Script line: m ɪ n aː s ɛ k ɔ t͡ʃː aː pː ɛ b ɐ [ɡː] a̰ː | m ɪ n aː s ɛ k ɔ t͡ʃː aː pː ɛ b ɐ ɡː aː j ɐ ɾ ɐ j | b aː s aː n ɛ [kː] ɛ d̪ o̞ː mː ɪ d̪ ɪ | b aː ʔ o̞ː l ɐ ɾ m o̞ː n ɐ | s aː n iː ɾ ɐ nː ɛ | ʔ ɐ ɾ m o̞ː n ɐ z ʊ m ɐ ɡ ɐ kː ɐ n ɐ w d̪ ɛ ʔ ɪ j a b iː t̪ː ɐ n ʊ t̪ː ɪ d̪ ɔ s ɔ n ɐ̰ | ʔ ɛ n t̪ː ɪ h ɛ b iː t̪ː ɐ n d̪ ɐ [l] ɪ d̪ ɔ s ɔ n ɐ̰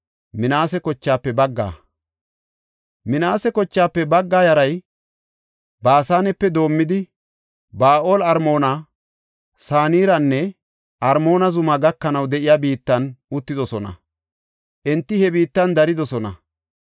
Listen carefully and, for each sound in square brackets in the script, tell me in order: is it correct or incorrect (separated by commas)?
correct, incorrect, incorrect